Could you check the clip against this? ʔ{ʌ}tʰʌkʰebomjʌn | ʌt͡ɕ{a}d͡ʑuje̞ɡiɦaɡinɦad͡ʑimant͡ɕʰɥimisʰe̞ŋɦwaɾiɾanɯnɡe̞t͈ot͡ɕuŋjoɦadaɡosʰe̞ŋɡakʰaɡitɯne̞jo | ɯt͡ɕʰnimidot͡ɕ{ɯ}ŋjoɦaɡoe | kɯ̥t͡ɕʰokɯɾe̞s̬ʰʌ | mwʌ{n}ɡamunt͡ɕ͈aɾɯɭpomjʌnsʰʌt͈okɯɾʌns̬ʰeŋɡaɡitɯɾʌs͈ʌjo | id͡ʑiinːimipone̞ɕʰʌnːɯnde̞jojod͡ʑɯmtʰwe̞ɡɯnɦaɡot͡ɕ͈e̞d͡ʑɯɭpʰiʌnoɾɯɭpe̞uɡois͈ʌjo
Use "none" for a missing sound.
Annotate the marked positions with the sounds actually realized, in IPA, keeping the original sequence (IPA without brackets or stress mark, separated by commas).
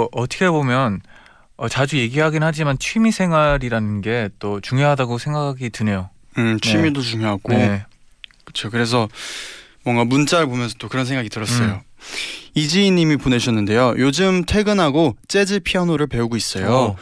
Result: ʌ, a, u, ŋ